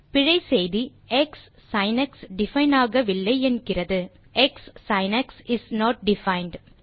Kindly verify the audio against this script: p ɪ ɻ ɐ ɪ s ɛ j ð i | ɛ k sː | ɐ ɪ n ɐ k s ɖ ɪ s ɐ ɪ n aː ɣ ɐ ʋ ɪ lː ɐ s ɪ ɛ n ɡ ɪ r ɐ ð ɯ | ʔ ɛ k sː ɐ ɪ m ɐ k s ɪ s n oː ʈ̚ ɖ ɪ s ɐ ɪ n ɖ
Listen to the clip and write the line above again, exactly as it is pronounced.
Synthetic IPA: p ɪ ɻ ɐ ɪ s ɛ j ð i | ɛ k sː | ɐ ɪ n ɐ k s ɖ ɪ f ɐ ɪ n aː ɣ ɐ ʋ ɪ lː ɐ ɪ ɛ n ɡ ɪ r ɐ ð ɯ | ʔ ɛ k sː ɐ ɪ n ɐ k s ɪ s n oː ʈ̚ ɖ ɪ f ɐ ɪ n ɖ

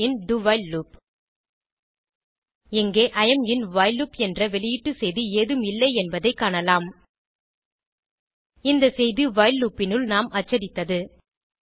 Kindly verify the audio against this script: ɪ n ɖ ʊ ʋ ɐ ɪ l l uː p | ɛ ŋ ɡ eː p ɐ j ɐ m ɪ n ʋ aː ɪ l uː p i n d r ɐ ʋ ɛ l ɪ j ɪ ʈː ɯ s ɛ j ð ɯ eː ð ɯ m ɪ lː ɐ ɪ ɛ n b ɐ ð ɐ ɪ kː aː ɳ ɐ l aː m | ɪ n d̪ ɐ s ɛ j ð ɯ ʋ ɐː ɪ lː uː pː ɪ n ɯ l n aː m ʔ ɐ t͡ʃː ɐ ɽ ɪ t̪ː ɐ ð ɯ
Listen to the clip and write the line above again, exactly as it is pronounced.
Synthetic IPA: ɪ n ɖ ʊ ʋ ɐ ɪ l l uː p | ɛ ŋ ɡ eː ʔ ɐ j ɐ m ɪ n ʋ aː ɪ l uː p ɛ n d r ɐ ʋ ɛ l ɪ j ɪ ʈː ɯ s ɛ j ð ɯ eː ð ɯ m ɪ lː ɐ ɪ ɛ n b ɐ ð ɐ ɪ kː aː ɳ ɐ l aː m | ɪ n d̪ ɐ s ɛ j ð ɯ ʋ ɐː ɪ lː uː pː ɪ n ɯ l n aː m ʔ ɐ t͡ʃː ɐ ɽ ɪ t̪ː ɐ ð ɯ

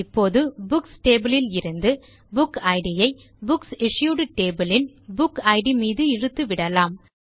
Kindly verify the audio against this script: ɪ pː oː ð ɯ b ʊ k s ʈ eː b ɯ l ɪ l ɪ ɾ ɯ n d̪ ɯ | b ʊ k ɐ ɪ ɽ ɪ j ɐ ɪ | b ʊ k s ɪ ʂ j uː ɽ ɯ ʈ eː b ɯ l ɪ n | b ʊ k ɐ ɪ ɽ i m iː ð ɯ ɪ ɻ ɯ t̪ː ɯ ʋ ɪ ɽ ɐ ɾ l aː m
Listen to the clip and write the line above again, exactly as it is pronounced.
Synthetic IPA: ɪ pː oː ð ɯ b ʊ k s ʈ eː b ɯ l ɪ l ɪ ɾ ɯ n d̪ ɯ | b ʊ k ɐ ɪ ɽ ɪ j ɐ ɪ | b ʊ k s ɪ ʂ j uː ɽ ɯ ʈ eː b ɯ l ɪ n | b ʊ k ɐ ɪ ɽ i m iː ð ɯ ɪ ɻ ɯ t̪ː ɯ ʋ ɪ ɽ ɐ l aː m

